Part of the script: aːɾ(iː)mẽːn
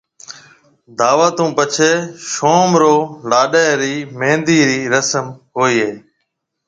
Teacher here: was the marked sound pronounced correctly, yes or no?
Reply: yes